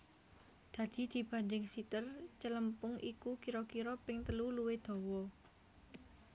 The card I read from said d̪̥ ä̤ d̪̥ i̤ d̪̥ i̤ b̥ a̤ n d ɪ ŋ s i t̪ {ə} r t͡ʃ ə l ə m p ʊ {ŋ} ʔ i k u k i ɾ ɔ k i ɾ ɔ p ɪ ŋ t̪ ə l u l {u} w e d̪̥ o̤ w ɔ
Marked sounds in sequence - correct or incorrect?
correct, correct, correct

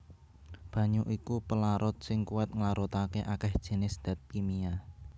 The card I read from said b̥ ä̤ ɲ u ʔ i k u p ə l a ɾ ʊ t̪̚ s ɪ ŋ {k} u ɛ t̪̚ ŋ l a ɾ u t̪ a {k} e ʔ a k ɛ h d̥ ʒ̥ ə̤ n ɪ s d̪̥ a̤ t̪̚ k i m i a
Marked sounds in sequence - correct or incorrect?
correct, correct

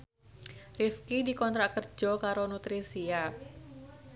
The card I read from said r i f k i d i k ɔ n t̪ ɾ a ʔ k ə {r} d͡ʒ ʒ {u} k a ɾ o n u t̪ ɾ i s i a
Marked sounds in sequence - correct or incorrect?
correct, incorrect

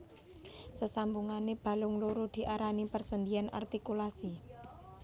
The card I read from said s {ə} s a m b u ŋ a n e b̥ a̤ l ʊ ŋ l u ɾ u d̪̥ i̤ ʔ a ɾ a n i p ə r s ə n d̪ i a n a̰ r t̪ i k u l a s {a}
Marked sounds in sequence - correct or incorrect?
correct, incorrect

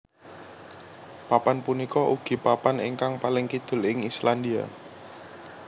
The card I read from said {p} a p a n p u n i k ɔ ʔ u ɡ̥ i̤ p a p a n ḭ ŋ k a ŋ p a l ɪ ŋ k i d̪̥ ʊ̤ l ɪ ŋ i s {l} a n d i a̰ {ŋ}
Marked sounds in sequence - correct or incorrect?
correct, correct, incorrect

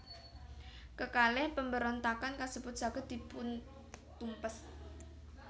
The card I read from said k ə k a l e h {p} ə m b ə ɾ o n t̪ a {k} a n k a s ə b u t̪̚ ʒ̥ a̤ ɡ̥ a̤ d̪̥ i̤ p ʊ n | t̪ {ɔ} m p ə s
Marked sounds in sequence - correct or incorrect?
correct, correct, incorrect

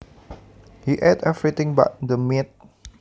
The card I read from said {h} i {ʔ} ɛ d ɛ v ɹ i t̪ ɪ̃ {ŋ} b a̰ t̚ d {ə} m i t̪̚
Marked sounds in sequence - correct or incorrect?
correct, correct, correct, correct

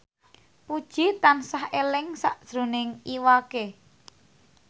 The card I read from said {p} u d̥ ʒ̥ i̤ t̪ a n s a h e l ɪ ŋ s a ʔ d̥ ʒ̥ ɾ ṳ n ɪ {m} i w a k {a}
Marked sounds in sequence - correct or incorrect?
correct, incorrect, incorrect

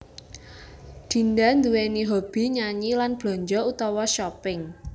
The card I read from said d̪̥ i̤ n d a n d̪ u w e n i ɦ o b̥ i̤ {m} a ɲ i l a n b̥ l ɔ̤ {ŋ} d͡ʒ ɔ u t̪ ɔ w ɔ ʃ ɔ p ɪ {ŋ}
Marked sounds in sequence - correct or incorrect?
incorrect, incorrect, correct

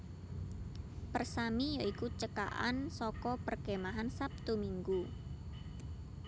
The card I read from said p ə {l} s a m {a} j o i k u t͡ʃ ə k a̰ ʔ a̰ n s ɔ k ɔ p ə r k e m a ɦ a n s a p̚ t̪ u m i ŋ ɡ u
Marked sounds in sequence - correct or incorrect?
incorrect, incorrect

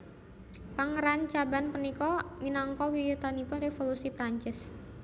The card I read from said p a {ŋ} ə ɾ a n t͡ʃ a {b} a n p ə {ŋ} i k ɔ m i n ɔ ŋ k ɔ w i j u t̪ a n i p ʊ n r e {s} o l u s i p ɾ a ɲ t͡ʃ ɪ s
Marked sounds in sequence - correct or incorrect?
correct, correct, incorrect, incorrect

